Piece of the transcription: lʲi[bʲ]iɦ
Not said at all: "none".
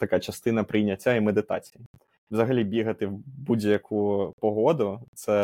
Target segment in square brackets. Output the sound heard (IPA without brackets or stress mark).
bʲ